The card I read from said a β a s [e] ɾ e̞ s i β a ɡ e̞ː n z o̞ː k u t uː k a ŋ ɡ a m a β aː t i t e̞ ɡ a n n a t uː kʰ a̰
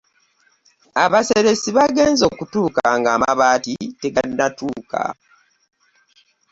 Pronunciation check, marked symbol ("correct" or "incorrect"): correct